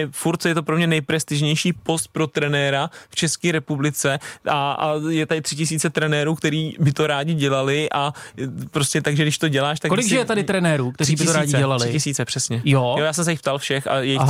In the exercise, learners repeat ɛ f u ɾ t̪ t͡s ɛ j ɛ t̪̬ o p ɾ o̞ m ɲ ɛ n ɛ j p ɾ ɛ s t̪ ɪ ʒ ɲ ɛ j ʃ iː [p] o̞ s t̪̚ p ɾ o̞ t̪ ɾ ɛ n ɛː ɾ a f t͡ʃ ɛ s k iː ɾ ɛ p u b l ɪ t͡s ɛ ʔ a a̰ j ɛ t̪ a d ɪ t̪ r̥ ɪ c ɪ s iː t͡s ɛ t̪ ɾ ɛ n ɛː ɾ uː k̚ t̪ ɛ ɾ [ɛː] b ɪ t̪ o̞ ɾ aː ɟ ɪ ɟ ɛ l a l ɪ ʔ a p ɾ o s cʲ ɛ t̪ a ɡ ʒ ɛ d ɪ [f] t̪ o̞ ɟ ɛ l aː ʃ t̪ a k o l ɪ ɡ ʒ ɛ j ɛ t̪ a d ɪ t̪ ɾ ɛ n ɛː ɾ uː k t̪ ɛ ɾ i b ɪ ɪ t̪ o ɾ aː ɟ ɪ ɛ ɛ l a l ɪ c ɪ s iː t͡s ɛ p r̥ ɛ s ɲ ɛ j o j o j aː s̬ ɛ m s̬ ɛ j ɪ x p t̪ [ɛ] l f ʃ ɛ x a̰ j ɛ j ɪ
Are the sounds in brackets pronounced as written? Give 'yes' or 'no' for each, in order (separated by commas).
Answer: yes, no, no, no